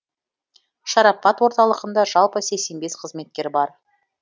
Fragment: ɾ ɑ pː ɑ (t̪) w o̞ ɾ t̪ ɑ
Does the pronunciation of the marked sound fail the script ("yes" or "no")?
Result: no